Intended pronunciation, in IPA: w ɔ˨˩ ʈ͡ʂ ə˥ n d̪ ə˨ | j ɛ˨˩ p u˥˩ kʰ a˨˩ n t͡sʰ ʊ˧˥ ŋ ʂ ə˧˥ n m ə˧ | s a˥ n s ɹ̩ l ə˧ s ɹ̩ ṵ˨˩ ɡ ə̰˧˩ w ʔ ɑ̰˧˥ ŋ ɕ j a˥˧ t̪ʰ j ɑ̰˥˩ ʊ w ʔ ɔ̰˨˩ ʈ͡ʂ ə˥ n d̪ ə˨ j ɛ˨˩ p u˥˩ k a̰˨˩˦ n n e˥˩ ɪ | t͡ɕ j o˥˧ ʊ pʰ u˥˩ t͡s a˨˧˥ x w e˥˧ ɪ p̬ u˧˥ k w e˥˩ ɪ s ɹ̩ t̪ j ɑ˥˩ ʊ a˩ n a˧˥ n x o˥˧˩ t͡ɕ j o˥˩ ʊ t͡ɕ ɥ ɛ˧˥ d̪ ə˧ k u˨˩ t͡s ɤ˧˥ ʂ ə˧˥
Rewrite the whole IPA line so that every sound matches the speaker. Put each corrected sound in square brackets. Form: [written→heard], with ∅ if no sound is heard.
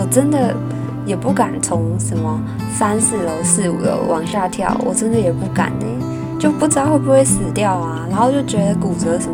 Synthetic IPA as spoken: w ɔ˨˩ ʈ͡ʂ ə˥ n d̪ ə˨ | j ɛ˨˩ p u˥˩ [kʰ→k] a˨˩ n t͡sʰ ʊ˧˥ ŋ ʂ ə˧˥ n m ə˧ | s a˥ n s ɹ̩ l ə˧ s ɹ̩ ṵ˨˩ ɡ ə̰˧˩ w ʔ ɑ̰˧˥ ŋ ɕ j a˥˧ t̪ʰ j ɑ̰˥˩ ʊ w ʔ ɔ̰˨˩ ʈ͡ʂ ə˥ n d̪ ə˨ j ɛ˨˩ p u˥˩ k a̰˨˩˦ n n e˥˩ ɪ | t͡ɕ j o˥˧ ʊ [pʰ→p] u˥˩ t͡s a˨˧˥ x w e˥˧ ɪ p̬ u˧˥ [k→x] w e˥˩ ɪ s ɹ̩ t̪ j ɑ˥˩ ʊ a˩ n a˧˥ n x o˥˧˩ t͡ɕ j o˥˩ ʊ t͡ɕ ɥ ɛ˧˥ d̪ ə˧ k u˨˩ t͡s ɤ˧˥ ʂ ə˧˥